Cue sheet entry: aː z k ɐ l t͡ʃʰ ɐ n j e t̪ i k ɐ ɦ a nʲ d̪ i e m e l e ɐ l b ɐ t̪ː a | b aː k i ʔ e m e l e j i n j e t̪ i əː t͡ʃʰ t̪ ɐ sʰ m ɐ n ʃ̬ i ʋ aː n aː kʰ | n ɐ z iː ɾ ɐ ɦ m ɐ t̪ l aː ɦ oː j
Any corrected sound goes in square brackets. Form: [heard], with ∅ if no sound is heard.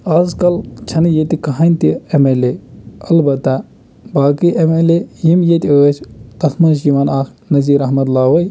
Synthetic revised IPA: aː z k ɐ l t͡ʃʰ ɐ n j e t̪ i k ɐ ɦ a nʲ [t̪] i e m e l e ɐ l b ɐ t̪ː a | b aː k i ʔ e m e l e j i [m] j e t̪ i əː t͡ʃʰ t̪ ɐ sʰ m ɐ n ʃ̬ i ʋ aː n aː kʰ | n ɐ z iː ɾ ɐ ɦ m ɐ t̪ l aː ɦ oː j